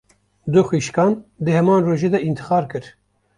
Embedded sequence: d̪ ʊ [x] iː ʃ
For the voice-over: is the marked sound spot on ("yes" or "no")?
yes